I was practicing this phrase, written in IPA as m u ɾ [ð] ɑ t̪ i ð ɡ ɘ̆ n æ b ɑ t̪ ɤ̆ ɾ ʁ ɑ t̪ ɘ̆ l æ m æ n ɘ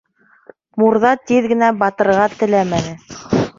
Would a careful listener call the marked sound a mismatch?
no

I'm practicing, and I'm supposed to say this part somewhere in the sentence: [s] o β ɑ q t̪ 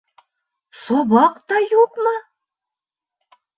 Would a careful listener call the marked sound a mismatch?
no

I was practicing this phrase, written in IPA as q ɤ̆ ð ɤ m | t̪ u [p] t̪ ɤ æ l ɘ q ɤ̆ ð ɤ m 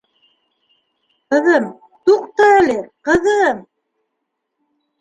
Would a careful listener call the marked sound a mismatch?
yes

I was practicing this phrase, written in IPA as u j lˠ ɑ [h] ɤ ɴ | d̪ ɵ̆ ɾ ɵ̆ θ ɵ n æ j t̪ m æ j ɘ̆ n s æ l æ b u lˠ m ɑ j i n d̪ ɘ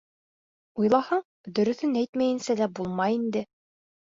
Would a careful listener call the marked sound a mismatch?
no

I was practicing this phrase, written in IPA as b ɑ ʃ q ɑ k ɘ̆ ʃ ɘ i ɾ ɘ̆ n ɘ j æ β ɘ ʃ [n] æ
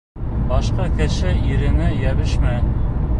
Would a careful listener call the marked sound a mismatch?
yes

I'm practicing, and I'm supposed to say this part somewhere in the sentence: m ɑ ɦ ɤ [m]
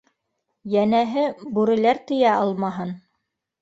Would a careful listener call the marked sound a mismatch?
yes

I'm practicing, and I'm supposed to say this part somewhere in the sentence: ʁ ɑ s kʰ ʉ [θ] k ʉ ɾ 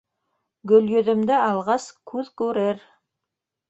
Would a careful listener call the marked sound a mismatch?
yes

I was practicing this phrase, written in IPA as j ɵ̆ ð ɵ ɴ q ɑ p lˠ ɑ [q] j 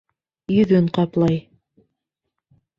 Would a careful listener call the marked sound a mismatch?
yes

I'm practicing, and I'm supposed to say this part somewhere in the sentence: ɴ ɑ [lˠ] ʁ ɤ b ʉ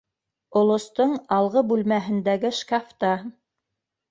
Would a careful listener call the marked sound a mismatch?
no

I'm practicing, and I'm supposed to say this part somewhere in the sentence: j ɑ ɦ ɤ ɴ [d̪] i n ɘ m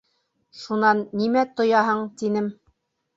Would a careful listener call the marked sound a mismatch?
yes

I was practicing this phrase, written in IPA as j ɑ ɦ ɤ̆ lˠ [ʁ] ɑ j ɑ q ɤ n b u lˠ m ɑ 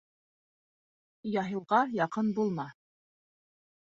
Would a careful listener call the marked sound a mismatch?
no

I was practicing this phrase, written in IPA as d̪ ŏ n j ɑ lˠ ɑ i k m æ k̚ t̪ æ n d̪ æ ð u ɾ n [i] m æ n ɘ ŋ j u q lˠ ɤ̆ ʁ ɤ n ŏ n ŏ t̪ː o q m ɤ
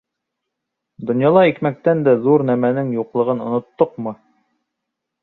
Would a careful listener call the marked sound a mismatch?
yes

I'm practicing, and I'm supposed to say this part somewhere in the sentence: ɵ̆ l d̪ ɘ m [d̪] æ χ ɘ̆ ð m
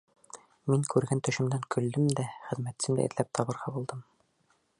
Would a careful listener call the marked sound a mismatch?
no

